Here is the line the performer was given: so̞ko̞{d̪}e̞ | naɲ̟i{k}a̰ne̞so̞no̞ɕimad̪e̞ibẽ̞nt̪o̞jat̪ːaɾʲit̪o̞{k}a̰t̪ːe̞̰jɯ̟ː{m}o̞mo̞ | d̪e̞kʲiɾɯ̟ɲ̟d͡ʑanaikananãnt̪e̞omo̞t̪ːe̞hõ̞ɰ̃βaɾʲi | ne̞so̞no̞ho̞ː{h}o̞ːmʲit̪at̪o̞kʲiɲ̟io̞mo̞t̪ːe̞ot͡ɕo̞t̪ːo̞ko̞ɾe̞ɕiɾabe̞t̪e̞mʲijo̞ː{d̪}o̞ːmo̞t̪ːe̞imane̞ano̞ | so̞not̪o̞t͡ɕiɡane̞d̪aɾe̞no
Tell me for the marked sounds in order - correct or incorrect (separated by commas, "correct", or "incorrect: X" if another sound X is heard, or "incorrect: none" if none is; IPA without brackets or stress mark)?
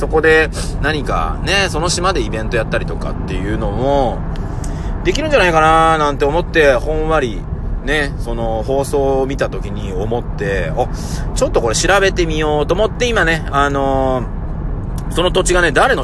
correct, correct, correct, incorrect: n, incorrect: s, incorrect: t̪